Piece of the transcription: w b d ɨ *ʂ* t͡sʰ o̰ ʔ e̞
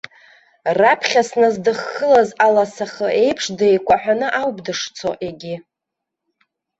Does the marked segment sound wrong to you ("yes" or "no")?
no